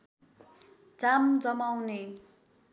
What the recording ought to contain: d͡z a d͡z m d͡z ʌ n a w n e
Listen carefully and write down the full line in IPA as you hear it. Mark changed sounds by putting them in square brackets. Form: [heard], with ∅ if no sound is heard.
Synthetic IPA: d͡z a [∅] m d͡z ʌ [m] a w n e